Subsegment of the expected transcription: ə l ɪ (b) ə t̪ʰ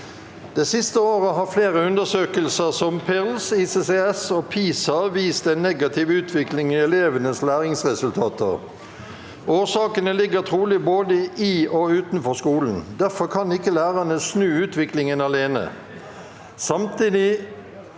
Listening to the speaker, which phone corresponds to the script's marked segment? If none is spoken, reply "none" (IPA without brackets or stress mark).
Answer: ɡ